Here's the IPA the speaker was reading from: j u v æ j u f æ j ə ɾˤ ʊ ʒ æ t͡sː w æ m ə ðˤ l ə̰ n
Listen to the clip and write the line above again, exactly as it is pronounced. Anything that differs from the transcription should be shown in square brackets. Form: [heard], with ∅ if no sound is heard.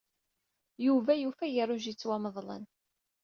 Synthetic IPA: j u v æ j u f æ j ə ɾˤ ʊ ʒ [i] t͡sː w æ m ə ðˤ l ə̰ n